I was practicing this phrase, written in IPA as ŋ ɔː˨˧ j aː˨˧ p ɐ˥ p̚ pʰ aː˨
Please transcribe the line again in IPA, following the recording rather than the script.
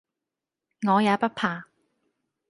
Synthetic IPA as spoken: ŋ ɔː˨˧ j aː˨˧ p ɐ˥ t̚ pʰ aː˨